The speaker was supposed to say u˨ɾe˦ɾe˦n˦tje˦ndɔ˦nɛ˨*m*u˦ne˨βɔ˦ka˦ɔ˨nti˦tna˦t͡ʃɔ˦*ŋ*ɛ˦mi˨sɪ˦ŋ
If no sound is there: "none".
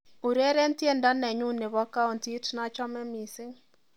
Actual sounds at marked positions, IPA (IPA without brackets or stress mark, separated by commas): ɲ, m